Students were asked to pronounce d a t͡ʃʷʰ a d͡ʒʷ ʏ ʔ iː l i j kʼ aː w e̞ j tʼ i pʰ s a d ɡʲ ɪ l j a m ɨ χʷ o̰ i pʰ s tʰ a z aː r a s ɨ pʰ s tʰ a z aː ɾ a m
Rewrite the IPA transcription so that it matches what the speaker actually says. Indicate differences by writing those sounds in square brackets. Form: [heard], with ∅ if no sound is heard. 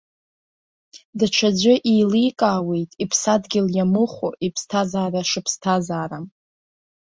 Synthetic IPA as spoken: d a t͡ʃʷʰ a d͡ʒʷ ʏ ʔ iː l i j kʼ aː w e̞ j tʼ i pʰ s a d ɡʲ ɪ l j a m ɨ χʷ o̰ i pʰ s tʰ a z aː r a [ʂ] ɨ pʰ s tʰ a z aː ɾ a m